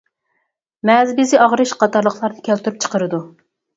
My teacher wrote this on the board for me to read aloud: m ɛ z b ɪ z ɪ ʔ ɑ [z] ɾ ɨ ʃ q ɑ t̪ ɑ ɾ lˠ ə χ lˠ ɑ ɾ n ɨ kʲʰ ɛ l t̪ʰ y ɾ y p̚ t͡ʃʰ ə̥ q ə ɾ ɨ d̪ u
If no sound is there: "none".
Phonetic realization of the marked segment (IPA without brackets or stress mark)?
ʁ